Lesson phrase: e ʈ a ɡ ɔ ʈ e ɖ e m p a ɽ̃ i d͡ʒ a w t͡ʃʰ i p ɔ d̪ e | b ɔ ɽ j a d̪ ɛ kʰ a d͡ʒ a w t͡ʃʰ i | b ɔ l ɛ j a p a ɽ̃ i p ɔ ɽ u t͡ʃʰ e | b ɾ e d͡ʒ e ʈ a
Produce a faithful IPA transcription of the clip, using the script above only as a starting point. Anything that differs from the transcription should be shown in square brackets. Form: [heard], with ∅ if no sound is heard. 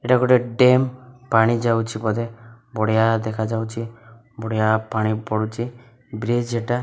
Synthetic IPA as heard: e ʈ a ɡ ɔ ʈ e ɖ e m p a ɽ̃ i d͡ʒ a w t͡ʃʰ i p ɔ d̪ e | b ɔ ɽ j a d̪ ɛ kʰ a d͡ʒ a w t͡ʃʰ i | b ɔ [ɽ] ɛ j a p a ɽ̃ i p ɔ ɽ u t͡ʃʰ [i] | b ɾ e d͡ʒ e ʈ a